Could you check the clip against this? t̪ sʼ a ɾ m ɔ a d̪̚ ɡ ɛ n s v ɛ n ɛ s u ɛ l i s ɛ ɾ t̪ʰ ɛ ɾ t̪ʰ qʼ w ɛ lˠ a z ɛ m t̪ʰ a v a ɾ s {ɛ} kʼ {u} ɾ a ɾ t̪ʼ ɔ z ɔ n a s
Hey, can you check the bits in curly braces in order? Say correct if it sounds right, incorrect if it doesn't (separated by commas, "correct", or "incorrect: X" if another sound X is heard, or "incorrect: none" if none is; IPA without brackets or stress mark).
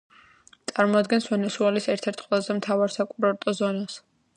incorrect: a, correct